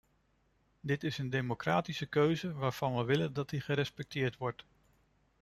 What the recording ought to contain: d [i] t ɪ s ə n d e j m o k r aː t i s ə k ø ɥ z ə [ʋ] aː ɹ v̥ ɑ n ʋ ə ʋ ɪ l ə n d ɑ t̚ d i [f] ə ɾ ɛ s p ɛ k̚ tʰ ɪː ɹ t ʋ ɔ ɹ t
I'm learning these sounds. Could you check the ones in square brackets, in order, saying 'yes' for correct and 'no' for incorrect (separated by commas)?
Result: no, yes, no